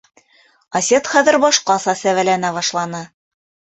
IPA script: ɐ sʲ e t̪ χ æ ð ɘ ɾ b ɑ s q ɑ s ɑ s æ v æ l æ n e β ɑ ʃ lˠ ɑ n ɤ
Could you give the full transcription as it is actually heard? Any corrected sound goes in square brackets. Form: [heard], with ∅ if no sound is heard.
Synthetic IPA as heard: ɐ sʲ e t̪ χ æ ð ɘ ɾ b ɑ [ʃ] q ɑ s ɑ s æ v æ l æ n [æ] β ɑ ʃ lˠ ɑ n ɤ